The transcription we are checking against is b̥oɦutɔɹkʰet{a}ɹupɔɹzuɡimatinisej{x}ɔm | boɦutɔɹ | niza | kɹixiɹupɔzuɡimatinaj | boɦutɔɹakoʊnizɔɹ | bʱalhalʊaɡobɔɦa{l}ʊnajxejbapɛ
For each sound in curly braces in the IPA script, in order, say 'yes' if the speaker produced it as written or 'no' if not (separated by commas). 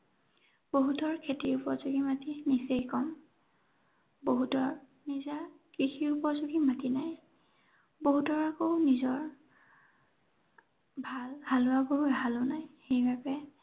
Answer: no, no, yes